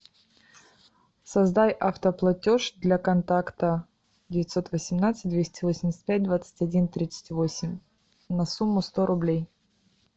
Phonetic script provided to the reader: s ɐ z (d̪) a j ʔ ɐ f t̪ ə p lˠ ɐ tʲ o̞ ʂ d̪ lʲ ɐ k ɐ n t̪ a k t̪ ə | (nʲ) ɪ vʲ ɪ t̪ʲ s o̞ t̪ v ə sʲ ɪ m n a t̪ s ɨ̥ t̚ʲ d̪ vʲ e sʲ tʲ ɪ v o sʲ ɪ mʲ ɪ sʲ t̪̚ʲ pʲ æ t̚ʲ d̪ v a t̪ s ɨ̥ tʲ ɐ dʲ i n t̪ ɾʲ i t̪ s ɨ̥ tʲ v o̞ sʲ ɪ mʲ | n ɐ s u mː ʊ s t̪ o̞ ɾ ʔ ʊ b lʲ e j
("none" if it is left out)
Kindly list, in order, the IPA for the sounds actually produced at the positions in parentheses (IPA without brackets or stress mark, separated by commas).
d̪, dʲ